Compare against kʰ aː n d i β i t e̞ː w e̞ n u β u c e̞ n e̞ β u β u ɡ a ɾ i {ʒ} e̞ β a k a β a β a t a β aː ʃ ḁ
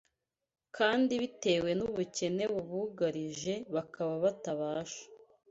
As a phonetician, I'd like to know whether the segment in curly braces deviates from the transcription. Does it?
no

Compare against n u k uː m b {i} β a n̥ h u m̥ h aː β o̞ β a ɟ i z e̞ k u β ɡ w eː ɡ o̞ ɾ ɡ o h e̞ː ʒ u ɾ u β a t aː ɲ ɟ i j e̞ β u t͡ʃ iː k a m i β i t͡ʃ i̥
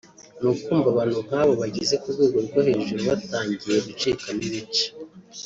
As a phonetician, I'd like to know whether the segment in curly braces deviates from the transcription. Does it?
yes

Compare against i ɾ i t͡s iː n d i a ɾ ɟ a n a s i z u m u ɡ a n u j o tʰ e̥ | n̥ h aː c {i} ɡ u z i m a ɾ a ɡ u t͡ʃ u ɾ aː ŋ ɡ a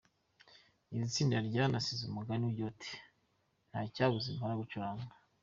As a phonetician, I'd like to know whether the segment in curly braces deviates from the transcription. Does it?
yes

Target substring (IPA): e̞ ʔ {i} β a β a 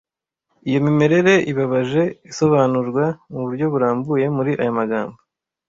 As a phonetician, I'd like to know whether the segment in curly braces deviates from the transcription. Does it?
no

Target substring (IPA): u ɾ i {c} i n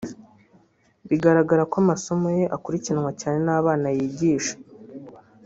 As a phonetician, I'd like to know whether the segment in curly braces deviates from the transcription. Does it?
no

